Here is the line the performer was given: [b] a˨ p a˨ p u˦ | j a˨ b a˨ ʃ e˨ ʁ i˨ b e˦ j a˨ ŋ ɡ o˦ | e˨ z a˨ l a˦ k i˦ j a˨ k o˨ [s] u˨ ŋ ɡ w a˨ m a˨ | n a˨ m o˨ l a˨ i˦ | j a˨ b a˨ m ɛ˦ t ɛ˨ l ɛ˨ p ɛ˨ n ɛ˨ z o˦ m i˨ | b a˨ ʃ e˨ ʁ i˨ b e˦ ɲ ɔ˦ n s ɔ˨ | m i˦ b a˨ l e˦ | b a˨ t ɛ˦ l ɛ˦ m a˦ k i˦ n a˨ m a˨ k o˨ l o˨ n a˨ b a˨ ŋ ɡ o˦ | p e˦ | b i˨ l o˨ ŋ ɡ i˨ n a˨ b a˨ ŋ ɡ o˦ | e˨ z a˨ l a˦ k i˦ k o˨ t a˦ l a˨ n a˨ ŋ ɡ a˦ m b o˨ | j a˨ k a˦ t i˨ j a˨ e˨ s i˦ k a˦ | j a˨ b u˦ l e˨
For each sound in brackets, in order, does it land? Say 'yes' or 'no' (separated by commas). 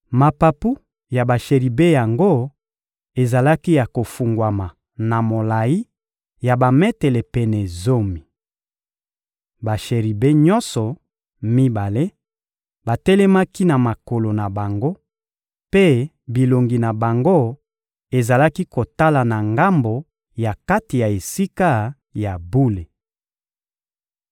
no, no